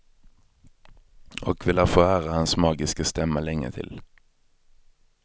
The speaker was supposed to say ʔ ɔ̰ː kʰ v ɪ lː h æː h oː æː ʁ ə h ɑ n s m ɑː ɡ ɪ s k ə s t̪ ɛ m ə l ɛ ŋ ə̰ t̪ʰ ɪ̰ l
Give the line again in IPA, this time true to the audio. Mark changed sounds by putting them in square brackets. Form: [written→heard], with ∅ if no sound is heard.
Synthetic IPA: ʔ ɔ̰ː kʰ [v→ʋ] ɪ [lː→l] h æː [h→f] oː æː ʁ ə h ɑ n s m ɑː ɡ ɪ s k ə s t̪ ɛ m ə l ɛ ŋ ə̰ t̪ʰ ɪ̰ l